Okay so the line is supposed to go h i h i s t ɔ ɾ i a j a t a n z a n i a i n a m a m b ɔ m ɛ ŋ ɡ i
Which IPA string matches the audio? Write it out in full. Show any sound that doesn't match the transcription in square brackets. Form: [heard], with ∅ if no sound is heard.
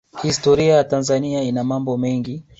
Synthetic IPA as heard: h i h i s t ɔ ɾ i a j a t a n z a n i a i n a m a m b ɔ m ɛ ŋ ɡ i